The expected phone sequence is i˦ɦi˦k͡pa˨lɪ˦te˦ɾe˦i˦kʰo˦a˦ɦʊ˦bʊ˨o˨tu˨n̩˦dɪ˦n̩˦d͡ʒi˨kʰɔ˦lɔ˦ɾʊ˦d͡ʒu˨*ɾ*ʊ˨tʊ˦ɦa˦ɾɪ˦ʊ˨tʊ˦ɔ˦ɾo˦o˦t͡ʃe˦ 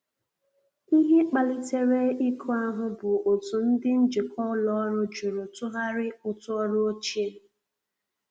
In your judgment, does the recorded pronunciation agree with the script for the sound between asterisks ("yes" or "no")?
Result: yes